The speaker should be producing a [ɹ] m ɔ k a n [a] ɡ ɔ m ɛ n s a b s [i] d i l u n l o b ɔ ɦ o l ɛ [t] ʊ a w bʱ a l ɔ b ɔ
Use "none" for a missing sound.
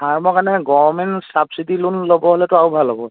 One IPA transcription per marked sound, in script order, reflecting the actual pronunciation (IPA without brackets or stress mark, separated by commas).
ɹ, ɛ, i, t